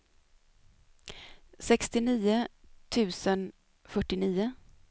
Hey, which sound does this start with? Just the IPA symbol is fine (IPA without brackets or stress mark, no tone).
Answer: s